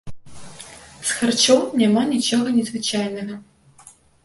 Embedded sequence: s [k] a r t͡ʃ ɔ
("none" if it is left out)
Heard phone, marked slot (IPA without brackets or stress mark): x